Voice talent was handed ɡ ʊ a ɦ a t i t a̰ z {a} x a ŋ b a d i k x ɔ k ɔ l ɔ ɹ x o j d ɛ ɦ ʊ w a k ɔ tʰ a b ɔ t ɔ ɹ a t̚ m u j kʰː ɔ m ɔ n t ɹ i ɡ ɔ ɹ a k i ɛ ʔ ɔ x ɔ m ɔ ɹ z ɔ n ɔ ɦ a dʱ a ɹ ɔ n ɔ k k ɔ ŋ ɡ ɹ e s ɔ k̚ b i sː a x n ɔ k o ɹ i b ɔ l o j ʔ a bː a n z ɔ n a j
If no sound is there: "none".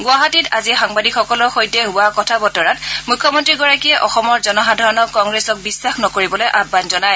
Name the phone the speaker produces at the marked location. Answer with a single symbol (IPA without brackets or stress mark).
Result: i